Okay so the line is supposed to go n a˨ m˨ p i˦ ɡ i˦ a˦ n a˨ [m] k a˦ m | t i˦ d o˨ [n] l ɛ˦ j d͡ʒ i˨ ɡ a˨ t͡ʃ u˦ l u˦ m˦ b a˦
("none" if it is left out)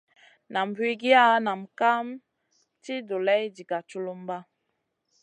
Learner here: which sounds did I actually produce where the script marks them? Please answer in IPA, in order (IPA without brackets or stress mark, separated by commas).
m, none